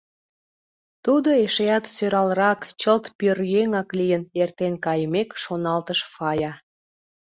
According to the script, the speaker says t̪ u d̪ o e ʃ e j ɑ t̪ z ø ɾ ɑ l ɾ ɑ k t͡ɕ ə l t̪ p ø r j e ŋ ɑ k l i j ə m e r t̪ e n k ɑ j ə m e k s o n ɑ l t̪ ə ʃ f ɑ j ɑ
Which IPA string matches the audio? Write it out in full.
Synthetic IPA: t̪ u d̪ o e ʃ e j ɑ t̪ s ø ɾ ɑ l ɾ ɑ k t͡ɕ ə l t̪ p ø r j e ŋ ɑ k l i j ə n e r t̪ e n k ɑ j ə m e k ʃ o n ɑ l t̪ ə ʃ f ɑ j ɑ